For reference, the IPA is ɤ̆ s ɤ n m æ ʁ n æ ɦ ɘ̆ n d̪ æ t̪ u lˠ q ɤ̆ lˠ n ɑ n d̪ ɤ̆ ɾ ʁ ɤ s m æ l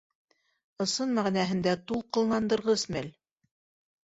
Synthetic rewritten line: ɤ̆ s ɤ n m æ ʁ n æ ɦ ɘ̆ n d̪ æ t̪ u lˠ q ɤ̆ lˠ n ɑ n d̪ ɤ̆ ɾ ʁ ɤ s m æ l